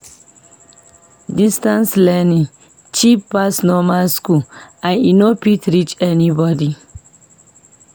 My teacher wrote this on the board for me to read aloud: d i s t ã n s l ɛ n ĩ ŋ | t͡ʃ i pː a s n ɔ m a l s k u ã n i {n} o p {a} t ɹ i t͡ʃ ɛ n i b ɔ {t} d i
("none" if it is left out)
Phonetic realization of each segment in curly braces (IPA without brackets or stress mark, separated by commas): n, i, none